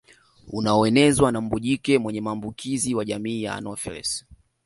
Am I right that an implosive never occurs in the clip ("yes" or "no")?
no